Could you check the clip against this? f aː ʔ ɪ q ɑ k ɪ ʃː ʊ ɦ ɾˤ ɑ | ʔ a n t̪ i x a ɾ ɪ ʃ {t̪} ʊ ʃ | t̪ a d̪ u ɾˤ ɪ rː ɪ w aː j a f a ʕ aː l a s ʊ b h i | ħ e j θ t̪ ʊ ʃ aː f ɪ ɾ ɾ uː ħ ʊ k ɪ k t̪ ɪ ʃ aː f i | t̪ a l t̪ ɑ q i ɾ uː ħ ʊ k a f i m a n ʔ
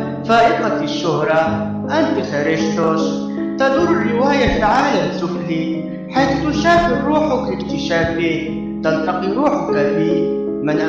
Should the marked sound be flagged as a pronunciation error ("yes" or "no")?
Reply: no